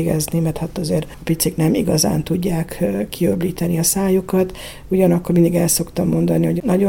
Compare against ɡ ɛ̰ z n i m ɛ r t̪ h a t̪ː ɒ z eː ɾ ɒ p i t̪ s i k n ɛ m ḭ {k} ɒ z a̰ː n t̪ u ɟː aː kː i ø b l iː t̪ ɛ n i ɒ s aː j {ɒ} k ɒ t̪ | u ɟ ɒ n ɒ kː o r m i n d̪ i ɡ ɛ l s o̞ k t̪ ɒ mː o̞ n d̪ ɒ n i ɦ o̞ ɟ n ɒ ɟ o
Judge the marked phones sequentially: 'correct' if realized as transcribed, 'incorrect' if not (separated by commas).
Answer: incorrect, incorrect